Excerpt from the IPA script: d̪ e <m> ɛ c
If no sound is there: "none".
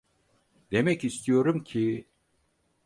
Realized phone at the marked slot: m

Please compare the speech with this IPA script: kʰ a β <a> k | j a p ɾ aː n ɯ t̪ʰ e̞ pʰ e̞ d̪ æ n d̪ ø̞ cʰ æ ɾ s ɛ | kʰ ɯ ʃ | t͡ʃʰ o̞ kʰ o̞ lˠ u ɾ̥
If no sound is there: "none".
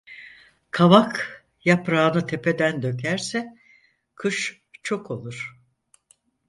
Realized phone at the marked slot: a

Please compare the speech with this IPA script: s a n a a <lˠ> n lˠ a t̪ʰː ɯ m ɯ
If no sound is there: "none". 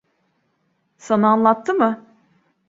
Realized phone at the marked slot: none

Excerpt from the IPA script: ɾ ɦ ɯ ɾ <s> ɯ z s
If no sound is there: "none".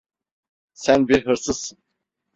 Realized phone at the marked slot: s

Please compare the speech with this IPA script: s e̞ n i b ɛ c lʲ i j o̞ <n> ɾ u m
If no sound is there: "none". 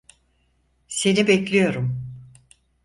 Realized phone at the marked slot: none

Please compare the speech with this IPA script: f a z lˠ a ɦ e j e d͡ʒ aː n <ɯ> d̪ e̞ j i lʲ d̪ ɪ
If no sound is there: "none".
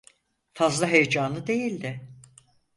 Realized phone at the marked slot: ɯ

